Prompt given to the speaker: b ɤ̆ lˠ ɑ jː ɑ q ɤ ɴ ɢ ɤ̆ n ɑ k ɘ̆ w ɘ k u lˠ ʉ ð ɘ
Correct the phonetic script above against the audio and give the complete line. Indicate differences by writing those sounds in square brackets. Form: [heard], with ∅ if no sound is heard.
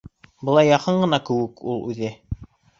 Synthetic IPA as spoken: b ɤ̆ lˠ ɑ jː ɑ q ɤ ɴ ɢ ɤ̆ n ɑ k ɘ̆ w ɘ k u lˠ ʉ ð ɘ